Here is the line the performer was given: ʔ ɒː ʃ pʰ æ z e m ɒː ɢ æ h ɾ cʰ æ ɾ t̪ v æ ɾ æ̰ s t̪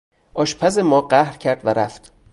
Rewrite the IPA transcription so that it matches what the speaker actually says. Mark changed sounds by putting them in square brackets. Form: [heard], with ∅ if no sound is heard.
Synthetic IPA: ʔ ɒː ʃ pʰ æ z e m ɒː ɢ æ h ɾ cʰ æ ɾ [d̪] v æ ɾ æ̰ [f] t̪